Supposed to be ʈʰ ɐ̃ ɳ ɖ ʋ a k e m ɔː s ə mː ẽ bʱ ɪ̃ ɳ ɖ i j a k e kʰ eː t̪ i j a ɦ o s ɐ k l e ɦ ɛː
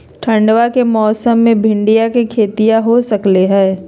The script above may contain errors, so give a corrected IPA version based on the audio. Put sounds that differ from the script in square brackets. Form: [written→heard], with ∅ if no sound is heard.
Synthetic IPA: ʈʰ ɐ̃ ɳ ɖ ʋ a k e m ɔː s ə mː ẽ bʱ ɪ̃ ɳ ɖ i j a k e kʰ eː t̪ i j a ɦ o s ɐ k l e ɦ ɛː